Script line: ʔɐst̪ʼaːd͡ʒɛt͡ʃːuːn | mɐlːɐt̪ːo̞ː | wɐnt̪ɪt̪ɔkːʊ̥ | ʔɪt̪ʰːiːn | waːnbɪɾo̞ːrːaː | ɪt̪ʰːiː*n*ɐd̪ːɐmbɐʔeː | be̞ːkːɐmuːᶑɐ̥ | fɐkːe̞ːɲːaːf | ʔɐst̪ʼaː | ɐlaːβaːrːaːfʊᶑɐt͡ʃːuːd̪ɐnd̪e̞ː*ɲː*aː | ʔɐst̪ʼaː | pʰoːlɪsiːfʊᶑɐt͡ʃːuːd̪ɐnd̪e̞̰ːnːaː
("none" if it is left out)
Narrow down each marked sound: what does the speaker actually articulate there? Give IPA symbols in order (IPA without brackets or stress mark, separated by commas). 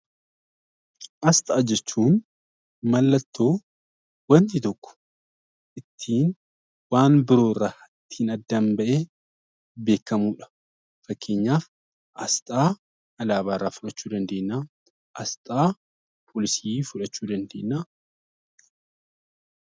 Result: n, nː